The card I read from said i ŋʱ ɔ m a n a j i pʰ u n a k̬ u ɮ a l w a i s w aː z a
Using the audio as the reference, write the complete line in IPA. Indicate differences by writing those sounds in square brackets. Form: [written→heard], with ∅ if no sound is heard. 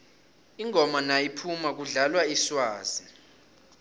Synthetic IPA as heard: i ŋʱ ɔ m a n a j i pʰ u [n→m] a k̬ u ɮ a l w a i s w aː z [a→i]